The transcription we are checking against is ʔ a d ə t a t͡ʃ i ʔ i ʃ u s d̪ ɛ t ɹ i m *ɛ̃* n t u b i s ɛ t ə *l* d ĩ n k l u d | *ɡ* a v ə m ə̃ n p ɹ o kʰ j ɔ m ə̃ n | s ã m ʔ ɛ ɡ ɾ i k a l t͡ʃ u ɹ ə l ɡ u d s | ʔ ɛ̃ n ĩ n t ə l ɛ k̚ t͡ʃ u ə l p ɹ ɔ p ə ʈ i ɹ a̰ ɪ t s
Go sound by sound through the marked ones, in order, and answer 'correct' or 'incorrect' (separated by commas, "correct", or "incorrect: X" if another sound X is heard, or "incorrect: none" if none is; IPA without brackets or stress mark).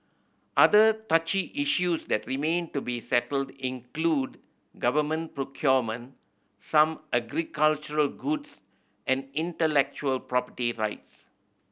incorrect: ẽ, correct, correct